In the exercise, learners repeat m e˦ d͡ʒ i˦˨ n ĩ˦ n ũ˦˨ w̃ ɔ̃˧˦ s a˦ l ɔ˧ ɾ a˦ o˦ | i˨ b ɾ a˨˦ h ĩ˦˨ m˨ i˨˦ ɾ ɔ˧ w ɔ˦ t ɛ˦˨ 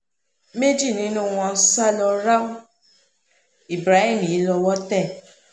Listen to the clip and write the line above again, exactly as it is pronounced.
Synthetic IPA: m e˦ d͡ʒ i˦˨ n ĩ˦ n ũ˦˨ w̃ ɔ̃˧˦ s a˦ l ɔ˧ ɾ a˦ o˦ | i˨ b ɾ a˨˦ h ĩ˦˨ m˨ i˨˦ l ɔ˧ w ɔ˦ t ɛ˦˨